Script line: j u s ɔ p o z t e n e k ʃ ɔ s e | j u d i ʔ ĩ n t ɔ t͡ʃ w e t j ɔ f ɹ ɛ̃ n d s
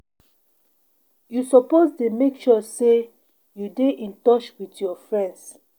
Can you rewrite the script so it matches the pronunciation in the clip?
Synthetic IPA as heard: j u s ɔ p o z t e m e k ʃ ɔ s e | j u d e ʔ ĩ n t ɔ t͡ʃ w i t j ɔ f ɹ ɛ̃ n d s